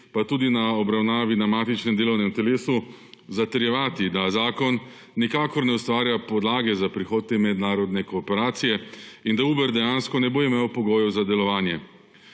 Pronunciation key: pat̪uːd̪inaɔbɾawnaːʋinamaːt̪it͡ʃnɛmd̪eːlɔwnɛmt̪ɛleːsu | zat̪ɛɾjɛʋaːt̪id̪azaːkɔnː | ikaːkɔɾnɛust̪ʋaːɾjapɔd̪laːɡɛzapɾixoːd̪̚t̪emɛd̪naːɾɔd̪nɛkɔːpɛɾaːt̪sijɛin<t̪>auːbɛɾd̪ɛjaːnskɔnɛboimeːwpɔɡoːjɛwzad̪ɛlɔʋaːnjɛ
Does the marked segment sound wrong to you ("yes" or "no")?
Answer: yes